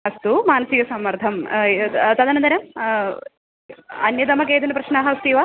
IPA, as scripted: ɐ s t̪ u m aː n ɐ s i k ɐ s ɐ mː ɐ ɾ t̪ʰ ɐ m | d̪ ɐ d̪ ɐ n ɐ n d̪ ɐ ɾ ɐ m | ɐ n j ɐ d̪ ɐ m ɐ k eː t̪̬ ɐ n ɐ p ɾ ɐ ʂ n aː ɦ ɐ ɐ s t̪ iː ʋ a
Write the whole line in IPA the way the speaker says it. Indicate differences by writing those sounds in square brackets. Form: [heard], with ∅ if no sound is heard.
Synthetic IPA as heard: ɐ s t̪ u m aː n ɐ s i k ɐ s ɐ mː ɐ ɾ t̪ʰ ɐ m | [t̪] ɐ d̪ ɐ n ɐ n d̪ ɐ ɾ ɐ m | ɐ n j ɐ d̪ ɐ m ɐ k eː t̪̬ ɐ n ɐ p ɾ ɐ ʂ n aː ɦ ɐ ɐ s t̪ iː ʋ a